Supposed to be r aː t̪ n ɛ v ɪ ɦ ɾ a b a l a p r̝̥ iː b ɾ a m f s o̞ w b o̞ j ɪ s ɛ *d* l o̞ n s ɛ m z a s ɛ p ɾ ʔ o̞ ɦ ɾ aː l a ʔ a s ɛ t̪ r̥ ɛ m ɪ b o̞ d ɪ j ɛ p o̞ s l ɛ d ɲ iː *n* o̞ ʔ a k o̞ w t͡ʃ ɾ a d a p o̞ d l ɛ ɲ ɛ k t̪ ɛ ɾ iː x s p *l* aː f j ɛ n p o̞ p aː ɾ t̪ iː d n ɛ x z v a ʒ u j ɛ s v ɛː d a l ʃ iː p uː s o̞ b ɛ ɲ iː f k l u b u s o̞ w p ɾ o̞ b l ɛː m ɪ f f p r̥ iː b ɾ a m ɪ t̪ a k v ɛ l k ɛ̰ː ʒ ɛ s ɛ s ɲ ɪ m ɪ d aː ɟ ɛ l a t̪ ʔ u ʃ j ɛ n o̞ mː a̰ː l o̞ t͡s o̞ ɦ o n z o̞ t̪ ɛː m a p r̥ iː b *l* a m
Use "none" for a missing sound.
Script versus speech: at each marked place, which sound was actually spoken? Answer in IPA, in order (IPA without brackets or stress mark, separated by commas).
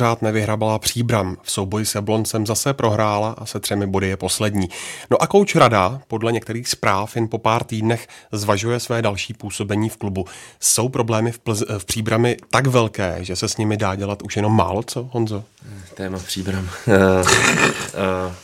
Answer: b, n, ɾ, ɾ